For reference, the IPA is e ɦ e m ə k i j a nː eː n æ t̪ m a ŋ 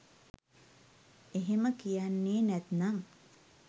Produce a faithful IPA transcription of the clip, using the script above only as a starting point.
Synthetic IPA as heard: e ɦ e m ə k i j a nː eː n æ t̪ n a ŋ